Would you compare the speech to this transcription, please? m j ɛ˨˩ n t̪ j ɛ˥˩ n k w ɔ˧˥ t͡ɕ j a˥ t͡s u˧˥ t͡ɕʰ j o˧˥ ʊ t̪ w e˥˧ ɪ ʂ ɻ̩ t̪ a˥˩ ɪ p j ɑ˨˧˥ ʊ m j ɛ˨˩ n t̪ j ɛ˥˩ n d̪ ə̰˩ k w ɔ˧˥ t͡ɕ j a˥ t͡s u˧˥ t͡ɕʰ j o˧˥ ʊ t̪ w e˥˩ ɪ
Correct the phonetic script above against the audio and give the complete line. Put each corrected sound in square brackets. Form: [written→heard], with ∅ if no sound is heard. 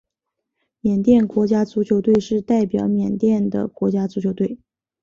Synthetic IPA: m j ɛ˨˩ n t̪ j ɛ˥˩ n k w ɔ˧˥ t͡ɕ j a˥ t͡s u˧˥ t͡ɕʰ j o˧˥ ʊ t̪ w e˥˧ ɪ ʂ ɻ̩ t̪ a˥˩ ɪ p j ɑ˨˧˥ ʊ m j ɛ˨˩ n t̪ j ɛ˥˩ n d̪ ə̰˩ k w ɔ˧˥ t͡ɕ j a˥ t͡s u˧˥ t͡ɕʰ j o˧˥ ʊ t̪ w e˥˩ ɪ